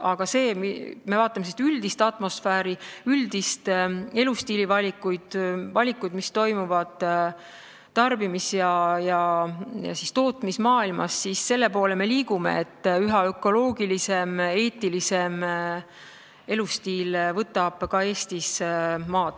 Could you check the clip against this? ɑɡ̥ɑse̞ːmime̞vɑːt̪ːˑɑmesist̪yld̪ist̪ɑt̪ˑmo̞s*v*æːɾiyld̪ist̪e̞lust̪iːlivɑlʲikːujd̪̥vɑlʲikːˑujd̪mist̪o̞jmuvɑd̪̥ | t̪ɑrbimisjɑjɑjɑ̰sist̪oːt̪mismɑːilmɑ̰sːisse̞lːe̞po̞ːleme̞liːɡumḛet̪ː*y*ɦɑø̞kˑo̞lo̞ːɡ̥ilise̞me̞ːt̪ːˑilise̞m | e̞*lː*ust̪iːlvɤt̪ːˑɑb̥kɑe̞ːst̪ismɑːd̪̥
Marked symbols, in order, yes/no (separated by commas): no, yes, no